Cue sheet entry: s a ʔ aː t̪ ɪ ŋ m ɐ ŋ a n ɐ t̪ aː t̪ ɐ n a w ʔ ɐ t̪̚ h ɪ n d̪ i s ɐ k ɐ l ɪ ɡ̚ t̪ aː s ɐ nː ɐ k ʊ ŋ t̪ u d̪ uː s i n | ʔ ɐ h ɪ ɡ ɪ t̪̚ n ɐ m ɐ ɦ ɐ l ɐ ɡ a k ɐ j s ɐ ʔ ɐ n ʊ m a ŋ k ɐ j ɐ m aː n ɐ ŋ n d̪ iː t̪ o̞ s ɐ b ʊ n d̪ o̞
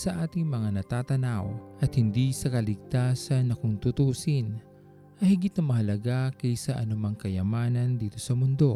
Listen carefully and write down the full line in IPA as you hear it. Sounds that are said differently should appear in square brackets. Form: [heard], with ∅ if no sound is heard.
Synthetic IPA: s [ɐ] ʔ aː t̪ ɪ ŋ m ɐ ŋ a n ɐ t̪ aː t̪ ɐ n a w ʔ ɐ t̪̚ h ɪ n d̪ i s ɐ k ɐ l ɪ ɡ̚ t̪ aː s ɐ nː ɐ k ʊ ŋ t̪ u [t̪] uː s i n | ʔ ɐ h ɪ ɡ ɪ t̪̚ n ɐ m ɐ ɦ ɐ l ɐ ɡ a k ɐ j s ɐ ʔ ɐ n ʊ m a ŋ k ɐ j ɐ m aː n ɐ [∅] n d̪ iː t̪ o̞ s ɐ [m] ʊ n d̪ o̞